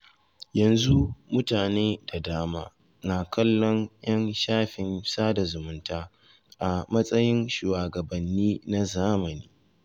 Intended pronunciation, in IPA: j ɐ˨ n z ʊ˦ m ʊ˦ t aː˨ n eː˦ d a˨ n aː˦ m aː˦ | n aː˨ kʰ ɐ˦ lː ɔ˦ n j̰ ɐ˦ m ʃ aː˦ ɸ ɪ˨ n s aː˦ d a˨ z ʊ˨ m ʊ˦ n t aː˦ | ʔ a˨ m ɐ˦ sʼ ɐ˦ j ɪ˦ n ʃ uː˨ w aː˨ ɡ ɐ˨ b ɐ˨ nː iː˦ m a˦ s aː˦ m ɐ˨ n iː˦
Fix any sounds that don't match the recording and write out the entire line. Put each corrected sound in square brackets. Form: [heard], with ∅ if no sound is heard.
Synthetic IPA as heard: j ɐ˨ n z [u˦] m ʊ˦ t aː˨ n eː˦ d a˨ [d] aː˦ m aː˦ | n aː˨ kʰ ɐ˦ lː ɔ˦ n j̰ ɐ˦ [n] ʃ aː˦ ɸ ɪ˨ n s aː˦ d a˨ z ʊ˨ m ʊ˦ n t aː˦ | ʔ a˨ m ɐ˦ sʼ ɐ˦ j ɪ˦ n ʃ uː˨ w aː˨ ɡ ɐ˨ b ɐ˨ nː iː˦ [n] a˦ [z] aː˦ m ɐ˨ n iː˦